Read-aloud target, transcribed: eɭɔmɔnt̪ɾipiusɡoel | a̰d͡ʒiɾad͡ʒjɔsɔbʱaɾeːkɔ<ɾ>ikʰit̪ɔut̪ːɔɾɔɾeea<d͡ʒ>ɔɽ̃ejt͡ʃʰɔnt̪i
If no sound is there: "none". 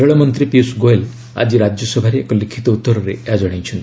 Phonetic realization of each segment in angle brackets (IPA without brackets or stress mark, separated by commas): l, d͡ʒ